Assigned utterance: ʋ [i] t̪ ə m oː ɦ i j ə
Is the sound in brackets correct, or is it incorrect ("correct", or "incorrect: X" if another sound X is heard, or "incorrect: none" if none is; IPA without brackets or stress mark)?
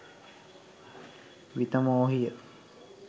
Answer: correct